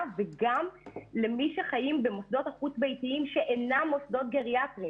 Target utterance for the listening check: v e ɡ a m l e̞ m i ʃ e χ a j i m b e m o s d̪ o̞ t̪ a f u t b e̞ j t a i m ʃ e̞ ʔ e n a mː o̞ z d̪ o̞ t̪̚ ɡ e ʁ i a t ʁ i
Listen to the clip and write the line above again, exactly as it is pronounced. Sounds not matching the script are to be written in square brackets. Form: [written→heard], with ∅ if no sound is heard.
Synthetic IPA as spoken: v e ɡ a m l e̞ m i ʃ e χ a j i m b e m o s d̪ o̞ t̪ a [f→χ] u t b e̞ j t [a→i] i m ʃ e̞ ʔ e n a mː o̞ [z→s] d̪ o̞ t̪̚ ɡ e ʁ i a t ʁ i